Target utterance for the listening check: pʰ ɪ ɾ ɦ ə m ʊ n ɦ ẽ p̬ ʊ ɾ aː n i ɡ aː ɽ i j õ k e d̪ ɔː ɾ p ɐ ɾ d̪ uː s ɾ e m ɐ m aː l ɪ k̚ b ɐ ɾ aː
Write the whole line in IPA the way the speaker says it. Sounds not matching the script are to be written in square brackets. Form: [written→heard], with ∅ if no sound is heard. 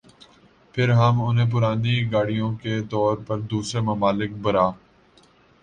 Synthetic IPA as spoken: pʰ ɪ ɾ ɦ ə m ʊ n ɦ ẽ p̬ ʊ ɾ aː n i ɡ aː ɽ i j õ k e [d̪→t̪] ɔː ɾ p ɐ ɾ d̪ uː s ɾ e m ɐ m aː l ɪ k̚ b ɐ ɾ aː